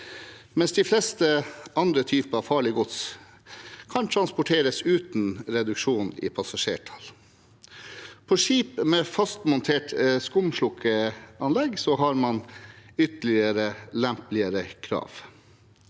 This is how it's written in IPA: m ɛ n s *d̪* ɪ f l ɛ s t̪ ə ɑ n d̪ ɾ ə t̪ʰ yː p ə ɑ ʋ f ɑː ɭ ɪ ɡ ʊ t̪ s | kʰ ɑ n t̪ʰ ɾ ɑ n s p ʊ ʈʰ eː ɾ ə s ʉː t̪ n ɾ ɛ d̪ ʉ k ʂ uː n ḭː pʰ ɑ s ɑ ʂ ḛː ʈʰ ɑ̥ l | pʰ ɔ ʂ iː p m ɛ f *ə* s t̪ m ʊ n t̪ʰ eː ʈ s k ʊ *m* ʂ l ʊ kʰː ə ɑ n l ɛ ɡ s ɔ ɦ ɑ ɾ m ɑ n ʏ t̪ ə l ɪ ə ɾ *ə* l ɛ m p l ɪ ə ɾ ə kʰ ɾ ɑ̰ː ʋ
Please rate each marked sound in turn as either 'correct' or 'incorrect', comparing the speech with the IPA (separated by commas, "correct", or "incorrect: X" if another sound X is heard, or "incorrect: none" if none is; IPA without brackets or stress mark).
correct, incorrect: ɑ, correct, correct